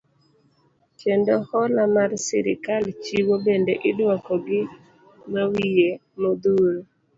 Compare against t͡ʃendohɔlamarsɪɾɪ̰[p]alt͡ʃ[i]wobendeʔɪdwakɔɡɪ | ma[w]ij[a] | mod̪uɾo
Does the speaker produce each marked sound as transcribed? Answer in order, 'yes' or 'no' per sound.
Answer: no, yes, yes, no

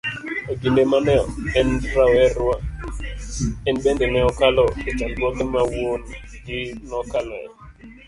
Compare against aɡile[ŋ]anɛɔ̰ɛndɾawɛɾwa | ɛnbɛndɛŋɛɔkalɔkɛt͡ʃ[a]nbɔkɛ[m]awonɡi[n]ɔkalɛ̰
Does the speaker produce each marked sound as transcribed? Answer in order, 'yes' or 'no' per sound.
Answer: no, yes, yes, yes

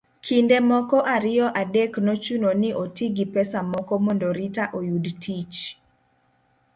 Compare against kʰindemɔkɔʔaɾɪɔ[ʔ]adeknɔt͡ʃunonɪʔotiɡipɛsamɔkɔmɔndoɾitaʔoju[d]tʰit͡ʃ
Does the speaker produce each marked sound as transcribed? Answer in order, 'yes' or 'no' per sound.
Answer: yes, yes

